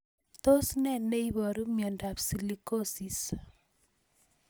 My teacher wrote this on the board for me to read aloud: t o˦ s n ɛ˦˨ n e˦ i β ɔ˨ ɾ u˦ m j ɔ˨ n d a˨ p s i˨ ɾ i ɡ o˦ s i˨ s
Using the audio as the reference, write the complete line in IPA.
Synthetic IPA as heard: t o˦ s n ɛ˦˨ n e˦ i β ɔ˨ ɾ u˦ m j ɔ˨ n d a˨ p s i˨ l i k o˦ s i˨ s